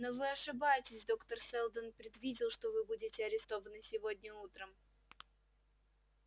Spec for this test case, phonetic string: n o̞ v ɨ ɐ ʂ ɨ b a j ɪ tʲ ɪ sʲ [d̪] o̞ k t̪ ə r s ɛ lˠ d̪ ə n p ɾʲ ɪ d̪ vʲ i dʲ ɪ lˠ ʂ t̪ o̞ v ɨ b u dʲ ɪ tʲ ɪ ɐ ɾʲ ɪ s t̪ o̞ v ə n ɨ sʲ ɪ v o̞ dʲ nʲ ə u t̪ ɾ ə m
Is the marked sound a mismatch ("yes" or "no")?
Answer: no